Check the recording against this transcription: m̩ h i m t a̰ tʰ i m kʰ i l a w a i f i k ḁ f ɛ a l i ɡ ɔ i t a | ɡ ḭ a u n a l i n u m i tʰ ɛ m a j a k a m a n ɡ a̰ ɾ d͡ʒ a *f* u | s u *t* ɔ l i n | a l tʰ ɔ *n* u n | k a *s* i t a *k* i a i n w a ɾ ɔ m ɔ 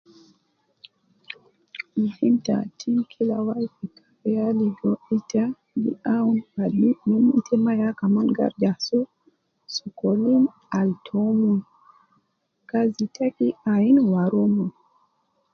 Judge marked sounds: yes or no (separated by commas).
no, no, no, no, yes